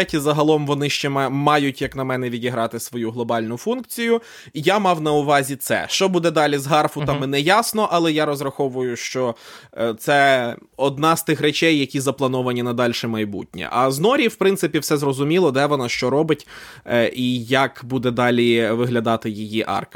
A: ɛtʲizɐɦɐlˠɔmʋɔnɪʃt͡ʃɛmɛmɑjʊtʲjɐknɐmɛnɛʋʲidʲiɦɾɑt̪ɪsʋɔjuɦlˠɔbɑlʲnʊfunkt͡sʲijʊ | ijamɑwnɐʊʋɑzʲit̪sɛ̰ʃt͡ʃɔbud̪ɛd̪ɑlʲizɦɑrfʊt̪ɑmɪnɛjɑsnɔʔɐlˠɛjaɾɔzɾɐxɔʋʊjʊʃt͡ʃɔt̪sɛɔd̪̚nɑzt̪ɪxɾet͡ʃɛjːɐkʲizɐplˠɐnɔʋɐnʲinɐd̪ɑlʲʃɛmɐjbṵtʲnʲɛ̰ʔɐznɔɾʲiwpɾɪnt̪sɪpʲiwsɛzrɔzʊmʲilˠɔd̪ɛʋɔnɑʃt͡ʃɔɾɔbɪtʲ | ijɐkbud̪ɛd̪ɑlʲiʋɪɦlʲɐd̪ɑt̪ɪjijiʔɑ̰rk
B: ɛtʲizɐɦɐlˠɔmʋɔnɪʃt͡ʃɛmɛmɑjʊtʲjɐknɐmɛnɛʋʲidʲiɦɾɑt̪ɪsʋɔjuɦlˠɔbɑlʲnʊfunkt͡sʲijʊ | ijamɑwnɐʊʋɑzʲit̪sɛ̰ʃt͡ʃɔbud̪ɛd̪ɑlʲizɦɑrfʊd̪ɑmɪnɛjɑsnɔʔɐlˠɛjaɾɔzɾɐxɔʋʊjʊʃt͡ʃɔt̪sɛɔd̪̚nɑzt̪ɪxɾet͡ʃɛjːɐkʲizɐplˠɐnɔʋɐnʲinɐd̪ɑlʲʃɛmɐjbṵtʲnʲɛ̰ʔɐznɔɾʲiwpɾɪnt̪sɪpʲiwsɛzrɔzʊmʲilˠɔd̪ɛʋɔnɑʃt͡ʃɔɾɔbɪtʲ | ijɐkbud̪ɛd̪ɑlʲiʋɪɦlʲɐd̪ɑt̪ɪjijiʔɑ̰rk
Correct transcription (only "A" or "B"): A